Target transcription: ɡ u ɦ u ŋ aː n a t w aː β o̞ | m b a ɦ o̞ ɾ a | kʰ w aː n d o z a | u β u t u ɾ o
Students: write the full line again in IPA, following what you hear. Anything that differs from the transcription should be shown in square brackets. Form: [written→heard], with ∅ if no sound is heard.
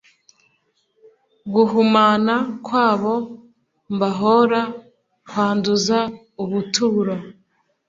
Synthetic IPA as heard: ɡ u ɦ u [ŋ→m] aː n a [t→k] w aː β o̞ | m b a ɦ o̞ ɾ a | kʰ w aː n d [o→u] z a | u β u t u ɾ o